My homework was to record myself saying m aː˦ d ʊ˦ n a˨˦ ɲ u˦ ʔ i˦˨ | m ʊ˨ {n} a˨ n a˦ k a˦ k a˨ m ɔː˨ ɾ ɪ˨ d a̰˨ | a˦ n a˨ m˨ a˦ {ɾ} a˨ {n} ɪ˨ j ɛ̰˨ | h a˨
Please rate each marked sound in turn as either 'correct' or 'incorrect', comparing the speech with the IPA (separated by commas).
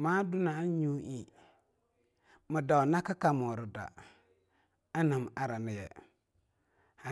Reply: incorrect, correct, correct